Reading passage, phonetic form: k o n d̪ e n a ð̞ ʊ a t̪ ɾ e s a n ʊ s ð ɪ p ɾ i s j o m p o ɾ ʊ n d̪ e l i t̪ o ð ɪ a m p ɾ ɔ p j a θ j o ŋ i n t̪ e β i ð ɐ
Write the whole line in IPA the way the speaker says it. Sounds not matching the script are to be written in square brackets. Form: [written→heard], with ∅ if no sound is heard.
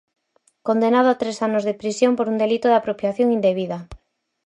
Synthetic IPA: k o n d̪ e n a ð̞ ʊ a t̪ ɾ e s a n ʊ [s→z] ð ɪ p ɾ i s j o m p o ɾ [ʊ→u] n d̪ e l i t̪ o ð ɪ a [m→∅] p ɾ [ɔ→o] p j a θ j o ŋ i n [t̪→d̪] e β i ð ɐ